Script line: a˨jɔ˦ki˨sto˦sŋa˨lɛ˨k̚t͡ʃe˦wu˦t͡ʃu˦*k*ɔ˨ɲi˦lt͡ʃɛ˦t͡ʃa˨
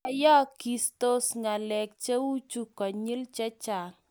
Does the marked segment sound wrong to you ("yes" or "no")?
no